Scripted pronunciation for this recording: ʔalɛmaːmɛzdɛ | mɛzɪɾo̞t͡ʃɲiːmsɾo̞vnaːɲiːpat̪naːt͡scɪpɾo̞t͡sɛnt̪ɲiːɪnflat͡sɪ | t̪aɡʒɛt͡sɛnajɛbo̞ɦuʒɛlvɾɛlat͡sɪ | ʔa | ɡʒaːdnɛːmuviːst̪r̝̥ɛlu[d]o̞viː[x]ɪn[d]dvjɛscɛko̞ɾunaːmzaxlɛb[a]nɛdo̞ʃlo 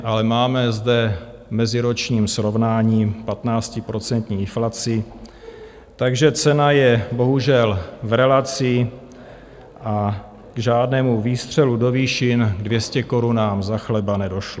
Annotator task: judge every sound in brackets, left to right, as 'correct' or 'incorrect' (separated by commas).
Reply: correct, incorrect, incorrect, correct